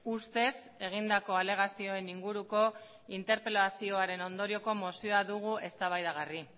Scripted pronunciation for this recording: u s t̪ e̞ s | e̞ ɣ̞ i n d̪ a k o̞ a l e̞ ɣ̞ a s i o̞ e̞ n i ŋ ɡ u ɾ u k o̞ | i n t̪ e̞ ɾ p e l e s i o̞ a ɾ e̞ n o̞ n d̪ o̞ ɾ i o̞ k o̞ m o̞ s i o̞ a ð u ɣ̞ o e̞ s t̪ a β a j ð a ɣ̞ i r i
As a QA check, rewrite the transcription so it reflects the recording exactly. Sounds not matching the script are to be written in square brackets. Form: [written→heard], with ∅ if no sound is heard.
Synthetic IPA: u s t̪ e̞ s | e̞ ɣ̞ i n d̪ a k o̞ a l e̞ ɣ̞ a s i o̞ e̞ n i ŋ ɡ u ɾ u k o̞ | i n t̪ e̞ ɾ p e l [e→a] s i o̞ a ɾ e̞ n o̞ n d̪ o̞ ɾ i o̞ k o̞ m o̞ s i o̞ a ð u ɣ̞ [o→u] e̞ s t̪ a β a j ð a ɣ̞ [i→a] r i